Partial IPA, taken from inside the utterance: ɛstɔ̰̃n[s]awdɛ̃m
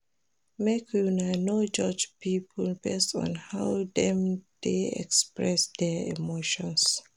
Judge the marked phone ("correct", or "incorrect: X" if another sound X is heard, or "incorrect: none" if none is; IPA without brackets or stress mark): incorrect: h